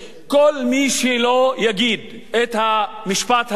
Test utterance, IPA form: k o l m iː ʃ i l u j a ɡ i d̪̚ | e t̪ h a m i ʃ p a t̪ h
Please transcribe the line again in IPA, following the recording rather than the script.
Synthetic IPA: k o l m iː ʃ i l o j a ɡ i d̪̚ | e t̪ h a m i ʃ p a t̪ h